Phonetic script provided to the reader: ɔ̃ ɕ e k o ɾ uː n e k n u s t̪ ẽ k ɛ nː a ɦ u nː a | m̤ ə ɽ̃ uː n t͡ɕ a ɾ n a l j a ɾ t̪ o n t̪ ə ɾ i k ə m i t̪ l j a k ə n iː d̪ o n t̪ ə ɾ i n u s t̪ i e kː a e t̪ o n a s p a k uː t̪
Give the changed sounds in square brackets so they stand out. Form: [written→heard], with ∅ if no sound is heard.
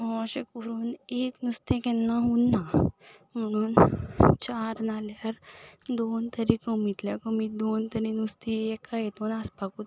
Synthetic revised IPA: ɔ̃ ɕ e k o ɾ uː n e k n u s t̪ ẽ k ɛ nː a ɦ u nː a | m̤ ə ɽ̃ uː n t͡ɕ a ɾ n a l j a ɾ [t̪→d̪] o n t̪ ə ɾ i k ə m i t̪ l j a k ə [n→m] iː d̪ o n t̪ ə ɾ i n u s t̪ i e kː a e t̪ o n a s p a k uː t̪